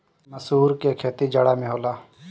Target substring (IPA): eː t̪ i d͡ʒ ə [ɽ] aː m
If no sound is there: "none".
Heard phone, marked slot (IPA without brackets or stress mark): ɽ